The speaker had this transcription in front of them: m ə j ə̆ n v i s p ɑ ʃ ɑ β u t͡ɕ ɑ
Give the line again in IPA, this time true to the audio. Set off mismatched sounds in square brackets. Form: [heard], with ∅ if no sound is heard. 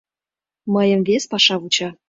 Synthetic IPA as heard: m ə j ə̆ [m] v [e] s p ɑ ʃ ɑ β u t͡ɕ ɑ